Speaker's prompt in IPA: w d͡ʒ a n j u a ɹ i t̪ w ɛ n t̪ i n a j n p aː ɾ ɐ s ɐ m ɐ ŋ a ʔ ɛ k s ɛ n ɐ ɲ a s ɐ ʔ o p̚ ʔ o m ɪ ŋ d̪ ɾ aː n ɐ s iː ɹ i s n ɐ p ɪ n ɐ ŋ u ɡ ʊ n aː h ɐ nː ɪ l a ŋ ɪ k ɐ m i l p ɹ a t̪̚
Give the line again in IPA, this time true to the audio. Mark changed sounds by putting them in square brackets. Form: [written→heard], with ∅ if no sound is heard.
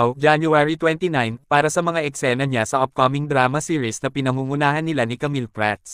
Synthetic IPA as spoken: w d͡ʒ a n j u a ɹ i t̪ w ɛ n t̪ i n a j n p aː ɾ ɐ s ɐ m ɐ ŋ a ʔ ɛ k s ɛ n ɐ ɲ a s ɐ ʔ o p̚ [ʔ→k] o m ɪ ŋ d̪ ɾ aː [n→m] ɐ s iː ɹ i s n ɐ p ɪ n ɐ ŋ u [ɡ→ŋ] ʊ n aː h ɐ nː ɪ l a [ŋ→n] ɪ k ɐ m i l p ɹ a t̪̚